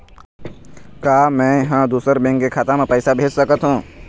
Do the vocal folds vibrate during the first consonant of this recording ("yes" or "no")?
no